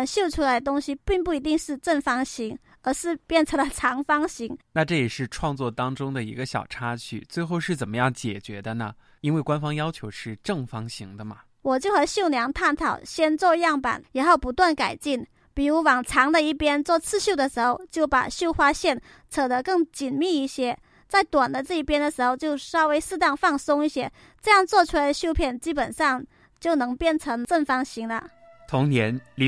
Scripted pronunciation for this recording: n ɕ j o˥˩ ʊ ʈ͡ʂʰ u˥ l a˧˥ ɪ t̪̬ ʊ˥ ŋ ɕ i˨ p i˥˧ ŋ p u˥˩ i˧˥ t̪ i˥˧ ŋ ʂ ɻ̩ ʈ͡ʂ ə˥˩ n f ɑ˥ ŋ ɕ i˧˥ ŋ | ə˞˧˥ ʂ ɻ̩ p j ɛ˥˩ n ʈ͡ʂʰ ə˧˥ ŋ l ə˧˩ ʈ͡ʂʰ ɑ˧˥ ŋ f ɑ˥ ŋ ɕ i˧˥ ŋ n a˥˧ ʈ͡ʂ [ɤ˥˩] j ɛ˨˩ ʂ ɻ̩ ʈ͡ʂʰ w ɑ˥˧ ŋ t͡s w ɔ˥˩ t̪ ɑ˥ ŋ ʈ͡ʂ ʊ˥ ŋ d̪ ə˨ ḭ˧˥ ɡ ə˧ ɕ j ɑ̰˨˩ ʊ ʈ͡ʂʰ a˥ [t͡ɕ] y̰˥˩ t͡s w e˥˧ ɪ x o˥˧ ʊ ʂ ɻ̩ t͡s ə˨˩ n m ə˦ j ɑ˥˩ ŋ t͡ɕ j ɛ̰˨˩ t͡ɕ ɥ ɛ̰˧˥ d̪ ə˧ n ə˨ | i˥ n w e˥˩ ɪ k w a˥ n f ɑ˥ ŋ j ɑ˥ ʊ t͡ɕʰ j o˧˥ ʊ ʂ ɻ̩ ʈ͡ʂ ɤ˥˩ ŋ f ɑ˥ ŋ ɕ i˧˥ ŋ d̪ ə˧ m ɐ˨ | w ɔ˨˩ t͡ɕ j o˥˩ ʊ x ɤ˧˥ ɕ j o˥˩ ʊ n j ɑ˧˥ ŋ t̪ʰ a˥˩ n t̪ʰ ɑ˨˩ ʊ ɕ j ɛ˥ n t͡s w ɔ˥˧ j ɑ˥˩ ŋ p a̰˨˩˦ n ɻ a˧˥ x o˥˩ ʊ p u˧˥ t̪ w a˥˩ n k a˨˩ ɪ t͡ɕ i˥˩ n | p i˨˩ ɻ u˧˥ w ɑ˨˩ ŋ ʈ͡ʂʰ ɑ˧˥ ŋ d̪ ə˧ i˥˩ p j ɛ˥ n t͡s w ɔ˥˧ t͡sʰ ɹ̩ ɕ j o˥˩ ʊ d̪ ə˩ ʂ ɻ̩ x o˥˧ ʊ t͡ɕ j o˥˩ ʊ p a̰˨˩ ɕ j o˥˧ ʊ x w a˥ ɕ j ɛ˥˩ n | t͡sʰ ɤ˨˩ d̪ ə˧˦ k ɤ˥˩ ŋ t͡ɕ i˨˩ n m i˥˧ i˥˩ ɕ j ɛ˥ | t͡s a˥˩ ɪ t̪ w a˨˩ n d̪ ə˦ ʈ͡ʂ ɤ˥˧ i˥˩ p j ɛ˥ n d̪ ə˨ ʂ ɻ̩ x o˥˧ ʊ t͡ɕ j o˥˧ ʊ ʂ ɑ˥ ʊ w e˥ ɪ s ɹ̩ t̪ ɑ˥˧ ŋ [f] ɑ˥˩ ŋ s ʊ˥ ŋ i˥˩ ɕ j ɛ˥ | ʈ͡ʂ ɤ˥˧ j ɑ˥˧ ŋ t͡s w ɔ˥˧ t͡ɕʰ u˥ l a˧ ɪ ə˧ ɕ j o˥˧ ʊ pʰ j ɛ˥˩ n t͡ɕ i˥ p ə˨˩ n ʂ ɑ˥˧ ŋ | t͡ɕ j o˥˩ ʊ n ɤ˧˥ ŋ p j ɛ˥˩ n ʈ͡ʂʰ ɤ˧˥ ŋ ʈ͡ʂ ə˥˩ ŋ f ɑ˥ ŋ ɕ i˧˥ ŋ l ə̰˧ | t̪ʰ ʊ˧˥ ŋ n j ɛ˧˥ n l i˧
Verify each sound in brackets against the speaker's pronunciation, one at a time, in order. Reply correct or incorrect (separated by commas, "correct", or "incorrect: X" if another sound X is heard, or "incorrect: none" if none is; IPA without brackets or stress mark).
correct, incorrect: t͡ɕʰ, correct